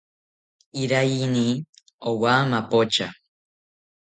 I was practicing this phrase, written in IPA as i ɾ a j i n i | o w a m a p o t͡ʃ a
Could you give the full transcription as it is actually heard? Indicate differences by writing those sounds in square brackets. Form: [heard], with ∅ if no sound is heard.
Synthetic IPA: i ɾ a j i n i | o w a m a p o t͡ʃ a